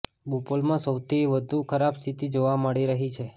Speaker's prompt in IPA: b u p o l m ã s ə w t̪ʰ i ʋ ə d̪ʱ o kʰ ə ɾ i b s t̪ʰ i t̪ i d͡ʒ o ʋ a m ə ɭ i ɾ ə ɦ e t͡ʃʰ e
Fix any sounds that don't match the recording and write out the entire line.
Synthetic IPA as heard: b u p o l m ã s ə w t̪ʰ i ʋ ə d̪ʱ u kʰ ə ɾ a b s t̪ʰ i t̪ i d͡ʒ o ʋ a m ə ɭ i ɾ ə ɦ i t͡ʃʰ e